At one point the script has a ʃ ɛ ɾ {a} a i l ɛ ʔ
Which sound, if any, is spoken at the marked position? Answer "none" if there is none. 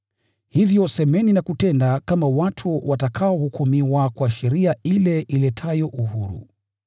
i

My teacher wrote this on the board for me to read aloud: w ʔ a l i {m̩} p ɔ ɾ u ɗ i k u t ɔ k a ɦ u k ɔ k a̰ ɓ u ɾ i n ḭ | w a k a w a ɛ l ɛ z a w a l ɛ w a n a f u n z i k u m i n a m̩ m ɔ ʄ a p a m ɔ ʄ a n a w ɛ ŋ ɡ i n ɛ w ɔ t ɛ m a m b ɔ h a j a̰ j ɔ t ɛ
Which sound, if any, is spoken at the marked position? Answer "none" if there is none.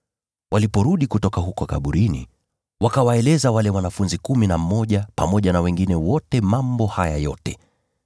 none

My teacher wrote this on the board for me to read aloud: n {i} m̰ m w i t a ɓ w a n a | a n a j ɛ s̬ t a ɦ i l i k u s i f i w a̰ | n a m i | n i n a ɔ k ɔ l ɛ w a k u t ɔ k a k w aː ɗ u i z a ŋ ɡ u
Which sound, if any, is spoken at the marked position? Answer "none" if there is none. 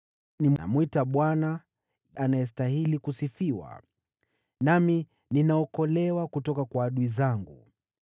i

